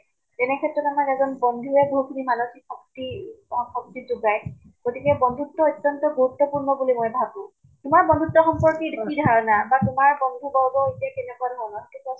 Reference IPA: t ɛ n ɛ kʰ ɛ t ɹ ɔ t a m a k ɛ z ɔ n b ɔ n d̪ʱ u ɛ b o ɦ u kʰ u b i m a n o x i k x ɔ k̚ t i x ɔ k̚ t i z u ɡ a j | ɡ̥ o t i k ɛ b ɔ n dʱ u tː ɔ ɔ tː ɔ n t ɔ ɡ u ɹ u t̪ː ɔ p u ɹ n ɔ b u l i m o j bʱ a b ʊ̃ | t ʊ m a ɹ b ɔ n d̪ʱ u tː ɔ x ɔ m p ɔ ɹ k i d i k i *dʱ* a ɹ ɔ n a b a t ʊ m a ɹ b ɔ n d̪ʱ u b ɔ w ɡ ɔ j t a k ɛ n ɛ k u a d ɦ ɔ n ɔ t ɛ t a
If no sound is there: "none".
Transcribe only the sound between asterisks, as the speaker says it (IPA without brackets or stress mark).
dʱ